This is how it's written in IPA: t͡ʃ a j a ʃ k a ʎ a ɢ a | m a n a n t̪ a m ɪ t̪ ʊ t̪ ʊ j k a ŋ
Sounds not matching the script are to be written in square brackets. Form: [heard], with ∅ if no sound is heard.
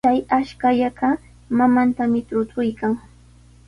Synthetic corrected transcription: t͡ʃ a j a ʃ k a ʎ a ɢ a | m a [m] a n t̪ a m ɪ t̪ ʊ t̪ ʊ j k a ŋ